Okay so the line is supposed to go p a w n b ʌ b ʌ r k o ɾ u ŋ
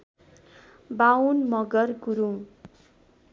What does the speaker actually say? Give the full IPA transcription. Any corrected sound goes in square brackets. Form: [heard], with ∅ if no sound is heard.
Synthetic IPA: [b] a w n [m] ʌ [ɡ] ʌ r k [u] ɾ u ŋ